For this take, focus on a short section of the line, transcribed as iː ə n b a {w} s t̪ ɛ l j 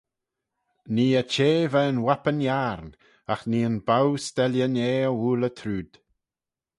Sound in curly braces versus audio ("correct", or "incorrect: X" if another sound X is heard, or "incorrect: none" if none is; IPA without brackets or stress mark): correct